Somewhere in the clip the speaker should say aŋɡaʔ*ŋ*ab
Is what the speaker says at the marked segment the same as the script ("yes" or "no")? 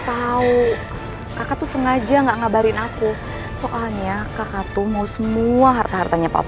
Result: yes